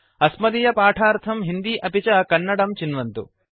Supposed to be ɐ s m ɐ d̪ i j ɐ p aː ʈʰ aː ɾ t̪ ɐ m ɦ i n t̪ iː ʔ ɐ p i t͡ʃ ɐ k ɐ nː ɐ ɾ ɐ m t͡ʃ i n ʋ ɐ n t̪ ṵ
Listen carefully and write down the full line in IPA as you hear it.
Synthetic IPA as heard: ɐ s m ɐ d̪ i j ɐ p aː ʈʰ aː ɾ t̪ʰ ɐ m ɦ i n d̪ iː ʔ ɐ p i t͡ʃ ɐ k ɐ nː ɐ ɽ ɐ m t͡ʃ i n ʋ ɐ n t̪ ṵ